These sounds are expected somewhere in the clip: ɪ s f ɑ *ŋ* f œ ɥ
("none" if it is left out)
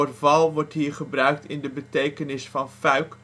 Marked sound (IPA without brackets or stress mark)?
n